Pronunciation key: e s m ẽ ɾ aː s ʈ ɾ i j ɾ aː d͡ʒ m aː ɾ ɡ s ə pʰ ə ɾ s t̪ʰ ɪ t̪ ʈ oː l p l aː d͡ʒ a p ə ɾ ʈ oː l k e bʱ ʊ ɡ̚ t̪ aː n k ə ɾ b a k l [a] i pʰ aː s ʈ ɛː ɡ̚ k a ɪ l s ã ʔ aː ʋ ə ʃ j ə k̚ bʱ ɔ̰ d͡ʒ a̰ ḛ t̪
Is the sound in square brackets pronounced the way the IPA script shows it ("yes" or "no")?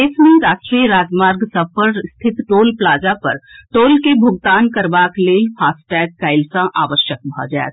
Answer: no